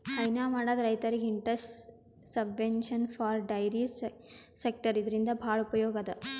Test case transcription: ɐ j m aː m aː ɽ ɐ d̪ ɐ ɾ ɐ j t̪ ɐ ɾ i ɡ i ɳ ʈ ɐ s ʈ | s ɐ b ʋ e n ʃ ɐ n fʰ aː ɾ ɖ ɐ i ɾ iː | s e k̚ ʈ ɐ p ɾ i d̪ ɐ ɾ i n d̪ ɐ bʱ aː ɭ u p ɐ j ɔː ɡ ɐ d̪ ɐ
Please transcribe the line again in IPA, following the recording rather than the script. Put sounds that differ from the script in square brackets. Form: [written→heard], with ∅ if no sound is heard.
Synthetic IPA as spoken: ɐ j [m→n] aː m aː ɽ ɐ d̪ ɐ ɾ ɐ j t̪ ɐ ɾ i ɡ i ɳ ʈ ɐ s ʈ | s ɐ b ʋ e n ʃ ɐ n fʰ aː ɾ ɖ ɐ [i→j] ɾ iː | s e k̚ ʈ ɐ [p→∅] ɾ i d̪ ɐ ɾ i n d̪ ɐ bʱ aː ɭ u p ɐ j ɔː ɡ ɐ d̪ ɐ